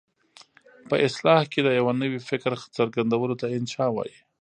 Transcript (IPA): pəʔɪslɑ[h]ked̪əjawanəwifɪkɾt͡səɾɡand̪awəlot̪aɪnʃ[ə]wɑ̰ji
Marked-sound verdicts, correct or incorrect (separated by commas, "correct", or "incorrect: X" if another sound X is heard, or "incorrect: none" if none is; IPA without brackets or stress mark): correct, incorrect: ɑ